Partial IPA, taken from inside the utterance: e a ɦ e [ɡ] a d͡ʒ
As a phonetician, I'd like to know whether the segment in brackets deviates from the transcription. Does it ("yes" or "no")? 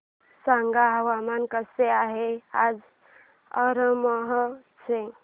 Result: yes